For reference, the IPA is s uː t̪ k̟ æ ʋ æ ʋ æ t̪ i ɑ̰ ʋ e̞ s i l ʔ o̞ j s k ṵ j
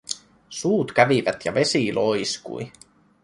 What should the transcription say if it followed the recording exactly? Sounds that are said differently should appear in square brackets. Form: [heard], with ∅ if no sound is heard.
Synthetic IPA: s uː t̪ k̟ æ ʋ [i] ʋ æ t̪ [j] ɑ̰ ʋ e̞ s i l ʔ o̞ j s k ṵ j